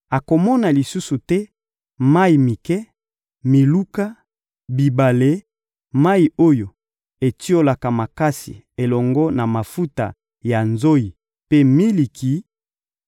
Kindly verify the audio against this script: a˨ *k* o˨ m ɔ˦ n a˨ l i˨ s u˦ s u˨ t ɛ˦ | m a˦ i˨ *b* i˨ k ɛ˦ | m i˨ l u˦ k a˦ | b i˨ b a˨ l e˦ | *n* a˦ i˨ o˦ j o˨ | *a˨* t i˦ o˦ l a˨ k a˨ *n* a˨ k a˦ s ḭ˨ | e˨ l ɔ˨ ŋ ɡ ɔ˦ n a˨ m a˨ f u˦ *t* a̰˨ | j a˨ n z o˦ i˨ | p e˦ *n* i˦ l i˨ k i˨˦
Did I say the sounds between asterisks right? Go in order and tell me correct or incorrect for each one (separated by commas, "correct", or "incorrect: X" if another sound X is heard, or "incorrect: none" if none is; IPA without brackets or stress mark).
correct, incorrect: m, incorrect: m, incorrect: e˨, incorrect: m, correct, incorrect: m